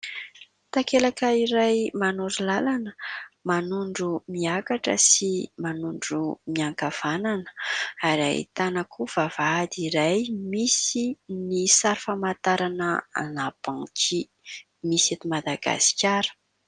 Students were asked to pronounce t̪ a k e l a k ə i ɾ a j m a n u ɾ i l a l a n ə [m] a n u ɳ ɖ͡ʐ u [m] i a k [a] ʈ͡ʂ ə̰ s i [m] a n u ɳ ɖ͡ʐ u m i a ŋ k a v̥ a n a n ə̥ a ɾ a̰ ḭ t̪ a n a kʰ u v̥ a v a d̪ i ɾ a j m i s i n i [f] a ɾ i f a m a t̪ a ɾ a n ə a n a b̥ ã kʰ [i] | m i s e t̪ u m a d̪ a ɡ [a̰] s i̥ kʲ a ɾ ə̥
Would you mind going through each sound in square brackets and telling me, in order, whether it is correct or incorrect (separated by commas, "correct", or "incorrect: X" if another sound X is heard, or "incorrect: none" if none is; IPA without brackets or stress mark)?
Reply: correct, correct, correct, correct, incorrect: s, correct, correct